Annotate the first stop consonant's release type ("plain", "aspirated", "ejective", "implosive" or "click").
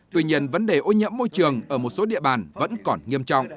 plain